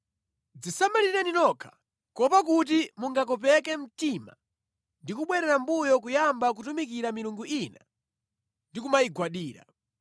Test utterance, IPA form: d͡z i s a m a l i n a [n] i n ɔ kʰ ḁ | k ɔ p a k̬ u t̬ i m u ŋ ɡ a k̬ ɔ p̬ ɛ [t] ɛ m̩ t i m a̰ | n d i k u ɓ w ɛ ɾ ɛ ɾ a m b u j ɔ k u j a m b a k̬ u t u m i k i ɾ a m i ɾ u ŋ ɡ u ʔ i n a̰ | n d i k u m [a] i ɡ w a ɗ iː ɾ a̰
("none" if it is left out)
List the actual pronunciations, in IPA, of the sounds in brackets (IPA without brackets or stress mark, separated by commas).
n, k, a